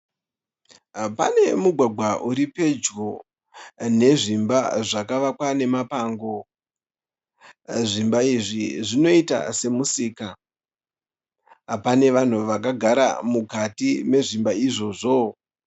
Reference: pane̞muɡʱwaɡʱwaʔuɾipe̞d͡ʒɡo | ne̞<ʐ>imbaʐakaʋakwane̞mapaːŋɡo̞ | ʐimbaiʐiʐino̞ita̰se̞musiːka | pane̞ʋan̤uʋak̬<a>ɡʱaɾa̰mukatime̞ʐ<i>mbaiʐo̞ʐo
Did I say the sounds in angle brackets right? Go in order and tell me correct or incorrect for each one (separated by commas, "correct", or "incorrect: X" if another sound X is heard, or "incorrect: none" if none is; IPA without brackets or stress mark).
correct, correct, correct